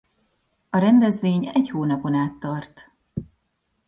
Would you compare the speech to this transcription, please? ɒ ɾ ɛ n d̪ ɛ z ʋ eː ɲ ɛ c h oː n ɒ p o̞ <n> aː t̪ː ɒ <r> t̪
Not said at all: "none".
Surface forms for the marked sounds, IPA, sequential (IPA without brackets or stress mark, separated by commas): n, r